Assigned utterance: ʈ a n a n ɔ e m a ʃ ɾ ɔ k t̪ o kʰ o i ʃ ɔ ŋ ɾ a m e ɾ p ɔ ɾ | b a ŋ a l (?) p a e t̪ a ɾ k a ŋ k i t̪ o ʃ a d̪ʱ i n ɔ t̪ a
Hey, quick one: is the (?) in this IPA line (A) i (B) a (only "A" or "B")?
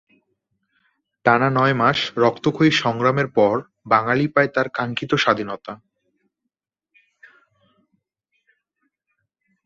A